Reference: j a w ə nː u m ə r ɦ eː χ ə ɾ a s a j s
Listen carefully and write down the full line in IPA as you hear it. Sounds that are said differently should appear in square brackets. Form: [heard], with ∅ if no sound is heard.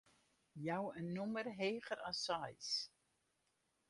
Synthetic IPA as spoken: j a w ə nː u m ə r ɦ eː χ ə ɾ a s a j s